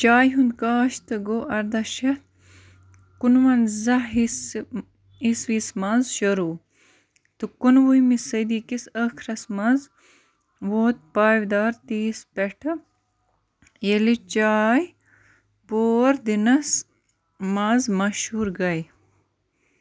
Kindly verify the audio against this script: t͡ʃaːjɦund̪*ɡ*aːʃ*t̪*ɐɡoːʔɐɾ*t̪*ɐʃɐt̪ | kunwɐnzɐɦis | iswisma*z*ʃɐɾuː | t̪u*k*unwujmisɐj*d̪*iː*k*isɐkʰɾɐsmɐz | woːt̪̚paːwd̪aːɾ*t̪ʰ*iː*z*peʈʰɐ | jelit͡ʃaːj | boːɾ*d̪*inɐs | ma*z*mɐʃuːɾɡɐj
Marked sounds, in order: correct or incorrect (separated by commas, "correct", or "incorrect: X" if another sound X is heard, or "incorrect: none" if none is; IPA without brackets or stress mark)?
incorrect: k, correct, incorrect: d̪, correct, correct, correct, correct, incorrect: t̪, incorrect: s, correct, correct